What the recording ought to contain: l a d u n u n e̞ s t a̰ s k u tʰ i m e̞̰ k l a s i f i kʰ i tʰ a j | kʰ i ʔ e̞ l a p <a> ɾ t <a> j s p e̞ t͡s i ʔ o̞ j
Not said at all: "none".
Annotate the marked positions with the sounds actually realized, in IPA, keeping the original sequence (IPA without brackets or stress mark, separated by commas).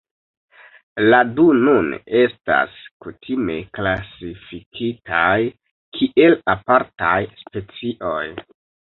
a, a